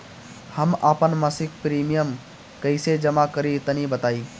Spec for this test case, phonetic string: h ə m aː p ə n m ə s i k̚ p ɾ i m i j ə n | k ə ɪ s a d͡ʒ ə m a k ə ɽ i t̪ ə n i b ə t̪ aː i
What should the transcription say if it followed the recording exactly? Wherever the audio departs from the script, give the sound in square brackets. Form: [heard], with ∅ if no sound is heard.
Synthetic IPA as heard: h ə m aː p ə n m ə s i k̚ p ɾ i m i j ə [m] | k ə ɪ s [e] d͡ʒ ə m a k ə [ɾ] i t̪ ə n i b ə t̪ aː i